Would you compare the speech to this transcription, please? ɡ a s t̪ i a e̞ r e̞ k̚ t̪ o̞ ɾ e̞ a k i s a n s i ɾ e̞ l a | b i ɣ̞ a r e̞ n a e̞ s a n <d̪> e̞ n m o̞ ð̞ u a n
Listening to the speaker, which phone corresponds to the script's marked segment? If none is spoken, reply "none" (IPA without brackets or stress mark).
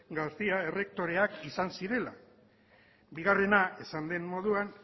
d̪